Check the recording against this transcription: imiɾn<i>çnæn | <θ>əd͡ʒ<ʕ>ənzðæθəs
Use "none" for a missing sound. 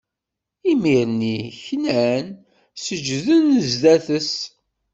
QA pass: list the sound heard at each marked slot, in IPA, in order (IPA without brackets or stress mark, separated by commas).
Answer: i, s, ð